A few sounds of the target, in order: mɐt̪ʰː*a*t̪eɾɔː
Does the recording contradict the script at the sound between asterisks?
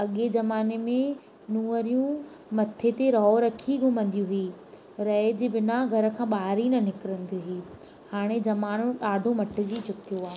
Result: yes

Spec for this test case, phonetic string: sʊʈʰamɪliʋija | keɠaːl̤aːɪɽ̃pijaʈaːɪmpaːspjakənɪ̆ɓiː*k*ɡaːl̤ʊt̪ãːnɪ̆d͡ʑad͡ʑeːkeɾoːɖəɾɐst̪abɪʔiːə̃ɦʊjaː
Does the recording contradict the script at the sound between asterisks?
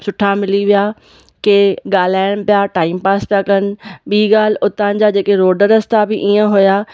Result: yes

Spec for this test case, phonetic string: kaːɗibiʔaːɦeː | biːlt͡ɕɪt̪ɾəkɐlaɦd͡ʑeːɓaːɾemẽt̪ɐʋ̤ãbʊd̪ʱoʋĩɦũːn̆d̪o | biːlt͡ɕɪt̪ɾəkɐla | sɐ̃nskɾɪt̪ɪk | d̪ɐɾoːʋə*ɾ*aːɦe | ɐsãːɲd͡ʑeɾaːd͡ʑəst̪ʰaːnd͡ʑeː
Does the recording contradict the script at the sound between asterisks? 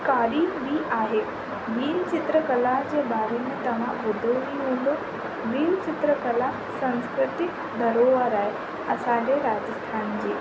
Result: no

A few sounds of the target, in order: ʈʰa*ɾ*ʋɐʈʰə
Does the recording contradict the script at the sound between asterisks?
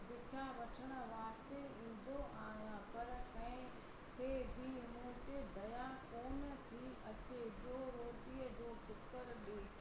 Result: yes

